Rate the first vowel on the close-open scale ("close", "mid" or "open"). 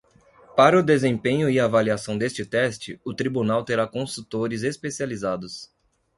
open